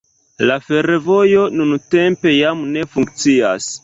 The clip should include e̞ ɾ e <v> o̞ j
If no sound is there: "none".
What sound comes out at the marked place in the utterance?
v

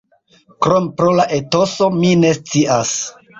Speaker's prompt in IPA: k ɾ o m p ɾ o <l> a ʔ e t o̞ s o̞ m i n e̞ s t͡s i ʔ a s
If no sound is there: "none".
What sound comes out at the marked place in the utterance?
l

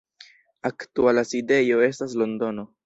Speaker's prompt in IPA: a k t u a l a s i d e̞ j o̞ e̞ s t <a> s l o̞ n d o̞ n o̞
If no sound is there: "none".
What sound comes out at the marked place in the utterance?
a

